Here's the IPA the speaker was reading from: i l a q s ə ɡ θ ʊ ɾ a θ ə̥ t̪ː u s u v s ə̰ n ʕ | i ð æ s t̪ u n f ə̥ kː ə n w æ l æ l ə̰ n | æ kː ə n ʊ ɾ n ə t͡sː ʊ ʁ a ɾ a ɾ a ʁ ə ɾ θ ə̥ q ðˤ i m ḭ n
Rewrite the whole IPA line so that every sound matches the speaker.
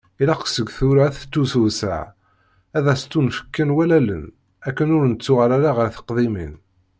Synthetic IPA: i l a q s ə ɡ θ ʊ ɾ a θ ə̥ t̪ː u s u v s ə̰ ʕ | æ ð æ s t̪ u n f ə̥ kː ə n w æ l æ l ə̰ n | æ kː ə n ʊ ɾ n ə t͡sː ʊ ʁ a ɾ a ɾ a ʁ ə ɾ θ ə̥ q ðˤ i m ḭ n

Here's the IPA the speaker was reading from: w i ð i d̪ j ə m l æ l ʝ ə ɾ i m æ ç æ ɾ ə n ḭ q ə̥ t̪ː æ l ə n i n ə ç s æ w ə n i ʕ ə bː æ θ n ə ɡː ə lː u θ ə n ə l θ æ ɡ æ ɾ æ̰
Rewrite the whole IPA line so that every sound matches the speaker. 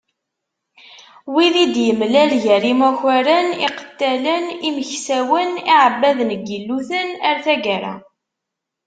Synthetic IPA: w i ð i d̪ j ə m l æ l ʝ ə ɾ i m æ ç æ ɾ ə n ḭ q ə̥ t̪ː æ l ə n i m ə ç s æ w ə n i ʕ ə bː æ ð n ə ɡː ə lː u θ ə n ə ɾ θ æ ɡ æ ɾ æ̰

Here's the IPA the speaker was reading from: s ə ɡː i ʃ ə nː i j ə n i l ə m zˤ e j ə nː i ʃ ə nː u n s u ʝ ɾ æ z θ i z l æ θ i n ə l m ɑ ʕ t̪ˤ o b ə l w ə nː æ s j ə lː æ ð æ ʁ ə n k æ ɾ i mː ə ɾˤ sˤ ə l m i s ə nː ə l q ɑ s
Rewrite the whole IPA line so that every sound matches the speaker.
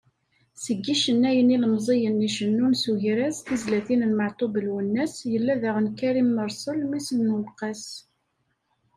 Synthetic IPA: s ə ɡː i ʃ ə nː æ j ə n i l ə m zˤ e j ə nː i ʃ ə nː u n s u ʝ ɾ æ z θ i z l æ θ i n ə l m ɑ ʕ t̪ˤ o b ə l w ə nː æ s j ə lː æ ð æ ʁ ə n k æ ɾ i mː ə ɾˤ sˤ ə l m i s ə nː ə l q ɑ s

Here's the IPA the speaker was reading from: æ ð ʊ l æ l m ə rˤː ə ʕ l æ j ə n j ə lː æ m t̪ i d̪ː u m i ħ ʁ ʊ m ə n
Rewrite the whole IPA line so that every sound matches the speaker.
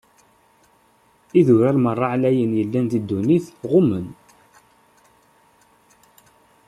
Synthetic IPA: i ð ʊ ɾ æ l m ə rˤː ɑ ʕ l æ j ə n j ə lː æ n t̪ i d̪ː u n i θ ʁ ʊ m ə n

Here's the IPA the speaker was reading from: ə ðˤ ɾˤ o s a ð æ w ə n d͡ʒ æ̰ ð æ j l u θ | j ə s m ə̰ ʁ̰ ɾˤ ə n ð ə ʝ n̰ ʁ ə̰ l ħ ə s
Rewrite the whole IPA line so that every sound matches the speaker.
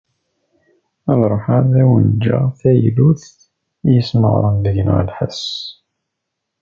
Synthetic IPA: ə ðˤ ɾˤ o ħ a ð æ w ə n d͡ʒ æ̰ θ æ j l u θ | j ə s m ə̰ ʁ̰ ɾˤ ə n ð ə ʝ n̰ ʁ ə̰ l ħ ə s

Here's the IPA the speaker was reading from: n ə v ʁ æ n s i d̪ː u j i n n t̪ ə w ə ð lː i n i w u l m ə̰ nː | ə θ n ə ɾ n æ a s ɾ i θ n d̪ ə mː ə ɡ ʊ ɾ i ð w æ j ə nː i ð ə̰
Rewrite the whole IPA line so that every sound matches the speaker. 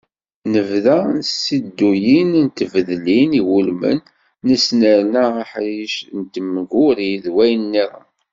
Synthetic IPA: n ə v ð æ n s i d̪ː u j i n n t̪ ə v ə ð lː i n i w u l m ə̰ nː | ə s n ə ɾ n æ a ħ ɾ i ʃ n t̪ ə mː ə ɡ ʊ ɾ i ð w æ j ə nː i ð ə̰

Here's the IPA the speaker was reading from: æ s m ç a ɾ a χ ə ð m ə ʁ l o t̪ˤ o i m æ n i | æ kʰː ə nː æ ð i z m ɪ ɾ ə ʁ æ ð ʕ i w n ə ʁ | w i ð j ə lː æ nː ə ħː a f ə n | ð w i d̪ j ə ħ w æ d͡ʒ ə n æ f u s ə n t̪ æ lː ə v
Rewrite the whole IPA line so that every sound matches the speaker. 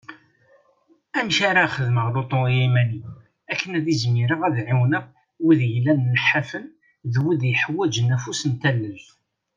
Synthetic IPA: æ m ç a ɾ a χ ə ð m ə ʁ l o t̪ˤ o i m æ n i | æ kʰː ə n æ ð i z m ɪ ɾ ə ʁ æ ð ʕ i w n ə ʁ | w i ð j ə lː æ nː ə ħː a f ə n | ð w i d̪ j ə ħ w æ d͡ʒ ə n æ f u s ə n t̪ æ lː ə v

